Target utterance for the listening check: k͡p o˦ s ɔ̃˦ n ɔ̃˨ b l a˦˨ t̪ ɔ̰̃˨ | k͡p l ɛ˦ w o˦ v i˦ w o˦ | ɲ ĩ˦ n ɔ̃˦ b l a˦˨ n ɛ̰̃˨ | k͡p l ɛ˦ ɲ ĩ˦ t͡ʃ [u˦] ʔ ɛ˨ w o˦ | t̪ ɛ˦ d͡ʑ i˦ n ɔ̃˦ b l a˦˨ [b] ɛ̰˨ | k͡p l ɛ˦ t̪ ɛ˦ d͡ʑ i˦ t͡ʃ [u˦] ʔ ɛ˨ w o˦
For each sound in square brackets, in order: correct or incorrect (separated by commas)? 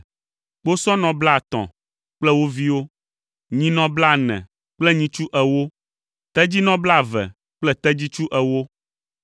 correct, incorrect, correct